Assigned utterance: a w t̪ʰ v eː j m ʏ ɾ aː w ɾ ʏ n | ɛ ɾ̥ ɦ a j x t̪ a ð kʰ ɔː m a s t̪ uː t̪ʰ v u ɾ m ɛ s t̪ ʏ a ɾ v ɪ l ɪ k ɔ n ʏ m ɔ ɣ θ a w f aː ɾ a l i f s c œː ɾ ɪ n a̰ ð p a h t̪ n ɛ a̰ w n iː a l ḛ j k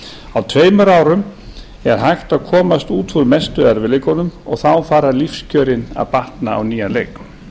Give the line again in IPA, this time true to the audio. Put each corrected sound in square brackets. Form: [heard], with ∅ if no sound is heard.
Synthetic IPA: a w t̪ʰ v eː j m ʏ ɾ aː w ɾ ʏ [m] | ɛ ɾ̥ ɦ a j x t̪ a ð kʰ ɔː m a s t̪ uː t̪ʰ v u ɾ m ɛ s t̪ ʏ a ɾ v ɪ l ɪ k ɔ n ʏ m ɔ ɣ θ a w f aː ɾ a l i f s c œː ɾ ɪ n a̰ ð p a h t̪ n [a] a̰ w n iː a l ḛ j k